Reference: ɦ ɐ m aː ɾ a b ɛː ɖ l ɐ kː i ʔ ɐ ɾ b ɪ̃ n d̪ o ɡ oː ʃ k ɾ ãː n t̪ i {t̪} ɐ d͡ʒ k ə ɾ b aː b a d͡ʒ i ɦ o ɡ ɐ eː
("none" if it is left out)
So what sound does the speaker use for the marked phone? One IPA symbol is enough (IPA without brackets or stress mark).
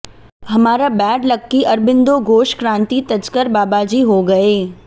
t̪